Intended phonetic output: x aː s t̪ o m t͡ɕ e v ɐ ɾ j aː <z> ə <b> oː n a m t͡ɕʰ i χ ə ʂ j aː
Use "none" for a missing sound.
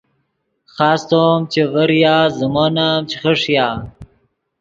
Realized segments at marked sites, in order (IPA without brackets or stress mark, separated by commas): z, m